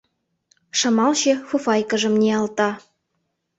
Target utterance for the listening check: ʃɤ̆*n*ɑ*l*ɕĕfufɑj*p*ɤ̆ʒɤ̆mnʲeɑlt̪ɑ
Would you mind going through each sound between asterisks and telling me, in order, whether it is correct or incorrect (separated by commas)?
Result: incorrect, correct, incorrect